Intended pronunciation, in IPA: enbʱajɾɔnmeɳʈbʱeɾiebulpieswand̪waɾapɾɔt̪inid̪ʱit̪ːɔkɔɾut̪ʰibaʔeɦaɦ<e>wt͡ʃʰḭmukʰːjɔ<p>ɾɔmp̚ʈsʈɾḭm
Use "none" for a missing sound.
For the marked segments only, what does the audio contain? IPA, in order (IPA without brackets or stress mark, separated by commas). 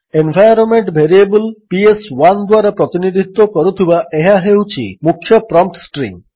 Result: e, p